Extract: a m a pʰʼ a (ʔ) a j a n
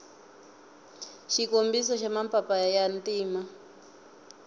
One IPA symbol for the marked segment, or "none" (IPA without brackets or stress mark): p